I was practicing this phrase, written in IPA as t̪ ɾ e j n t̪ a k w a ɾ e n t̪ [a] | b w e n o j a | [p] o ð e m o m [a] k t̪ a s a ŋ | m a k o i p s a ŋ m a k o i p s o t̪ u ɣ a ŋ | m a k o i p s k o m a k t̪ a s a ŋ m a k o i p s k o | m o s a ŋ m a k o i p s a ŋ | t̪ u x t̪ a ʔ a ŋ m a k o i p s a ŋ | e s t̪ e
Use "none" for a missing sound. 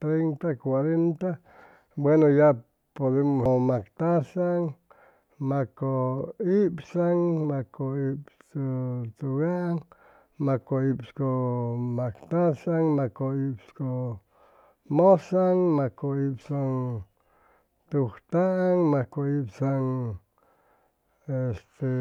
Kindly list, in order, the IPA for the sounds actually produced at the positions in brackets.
a, p, a

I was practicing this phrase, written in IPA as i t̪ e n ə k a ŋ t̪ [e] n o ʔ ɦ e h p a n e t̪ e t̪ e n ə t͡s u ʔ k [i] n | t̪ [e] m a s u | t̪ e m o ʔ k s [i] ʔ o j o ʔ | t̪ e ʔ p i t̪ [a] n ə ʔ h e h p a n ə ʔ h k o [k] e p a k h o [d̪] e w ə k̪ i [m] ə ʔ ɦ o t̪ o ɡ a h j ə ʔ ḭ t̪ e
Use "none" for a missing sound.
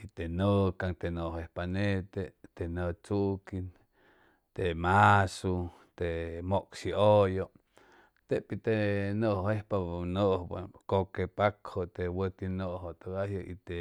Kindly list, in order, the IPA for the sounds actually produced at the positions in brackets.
e, i, e, i, e, k, t̪, n

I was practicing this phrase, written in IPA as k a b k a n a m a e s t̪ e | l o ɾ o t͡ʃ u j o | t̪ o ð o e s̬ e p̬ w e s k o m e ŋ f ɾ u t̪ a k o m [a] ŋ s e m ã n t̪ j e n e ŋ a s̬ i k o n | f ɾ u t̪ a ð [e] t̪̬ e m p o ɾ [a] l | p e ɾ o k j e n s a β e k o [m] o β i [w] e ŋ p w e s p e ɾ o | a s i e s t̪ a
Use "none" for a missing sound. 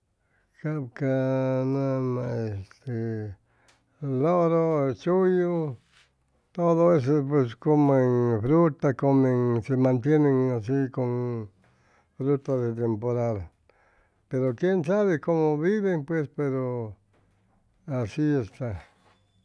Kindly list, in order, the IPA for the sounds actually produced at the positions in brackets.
e, e, a, m, β

